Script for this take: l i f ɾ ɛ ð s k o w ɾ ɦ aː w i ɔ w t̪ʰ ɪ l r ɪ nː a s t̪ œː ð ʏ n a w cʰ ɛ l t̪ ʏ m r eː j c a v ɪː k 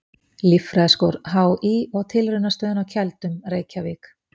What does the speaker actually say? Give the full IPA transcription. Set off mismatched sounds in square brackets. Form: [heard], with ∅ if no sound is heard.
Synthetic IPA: l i f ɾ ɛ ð s k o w ɾ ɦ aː w i ɔ [ɣ] t̪ʰ ɪ l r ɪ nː a s t̪ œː ð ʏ n a w cʰ ɛ l t̪ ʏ m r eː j c a v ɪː k

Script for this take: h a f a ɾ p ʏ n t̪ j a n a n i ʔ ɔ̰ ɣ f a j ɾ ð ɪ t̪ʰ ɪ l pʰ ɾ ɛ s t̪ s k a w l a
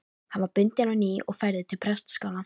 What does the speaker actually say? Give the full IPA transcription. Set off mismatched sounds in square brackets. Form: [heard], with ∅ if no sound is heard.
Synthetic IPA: h a [v] a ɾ p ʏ n t̪ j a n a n i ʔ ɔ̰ ɣ f a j ɾ ð ɪ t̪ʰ ɪ l pʰ ɾ ɛ s t̪ s k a w l a

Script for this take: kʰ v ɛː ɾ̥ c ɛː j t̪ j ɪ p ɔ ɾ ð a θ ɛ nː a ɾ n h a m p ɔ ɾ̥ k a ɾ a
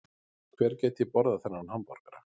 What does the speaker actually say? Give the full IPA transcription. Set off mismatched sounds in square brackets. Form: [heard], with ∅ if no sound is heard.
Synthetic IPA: kʰ v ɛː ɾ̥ c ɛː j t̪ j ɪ p ɔ ɾ ð a θ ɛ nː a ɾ n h a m p ɔ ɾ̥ k a ɾ a

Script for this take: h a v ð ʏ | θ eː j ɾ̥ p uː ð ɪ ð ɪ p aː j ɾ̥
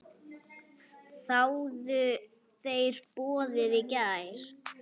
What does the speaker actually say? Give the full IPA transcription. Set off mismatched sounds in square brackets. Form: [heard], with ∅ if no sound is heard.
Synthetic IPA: [θ] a [w] ð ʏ | θ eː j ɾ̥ p [ɔː] ð ɪ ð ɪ [c] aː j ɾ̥

